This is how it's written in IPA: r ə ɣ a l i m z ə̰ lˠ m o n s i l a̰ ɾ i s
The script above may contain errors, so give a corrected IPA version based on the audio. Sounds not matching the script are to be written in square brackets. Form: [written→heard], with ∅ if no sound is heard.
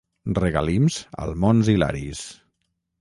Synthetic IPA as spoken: r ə ɣ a l i m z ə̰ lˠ m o n [s→z] i l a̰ ɾ i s